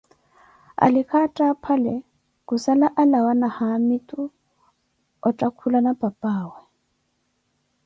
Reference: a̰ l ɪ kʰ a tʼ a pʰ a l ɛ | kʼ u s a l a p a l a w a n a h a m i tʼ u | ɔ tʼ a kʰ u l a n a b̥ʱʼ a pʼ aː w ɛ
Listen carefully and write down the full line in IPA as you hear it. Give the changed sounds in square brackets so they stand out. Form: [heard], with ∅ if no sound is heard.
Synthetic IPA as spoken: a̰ l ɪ kʰ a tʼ a pʰ a l ɛ | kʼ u s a l a [ʔ] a l a w a n a h a m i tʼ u | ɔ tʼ a kʰ u l a n a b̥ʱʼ a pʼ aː w ɛ